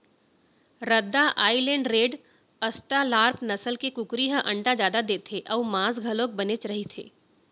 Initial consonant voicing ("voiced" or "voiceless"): voiced